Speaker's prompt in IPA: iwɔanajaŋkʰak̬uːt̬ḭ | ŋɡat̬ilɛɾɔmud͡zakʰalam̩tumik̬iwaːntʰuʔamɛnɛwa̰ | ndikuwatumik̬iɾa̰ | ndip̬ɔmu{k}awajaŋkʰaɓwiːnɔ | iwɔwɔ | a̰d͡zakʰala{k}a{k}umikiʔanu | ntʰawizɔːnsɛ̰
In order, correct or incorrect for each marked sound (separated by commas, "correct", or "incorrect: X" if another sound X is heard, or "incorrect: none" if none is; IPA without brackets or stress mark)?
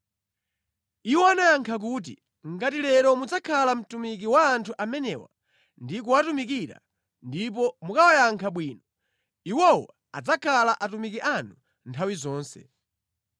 correct, incorrect: ʔ, incorrect: t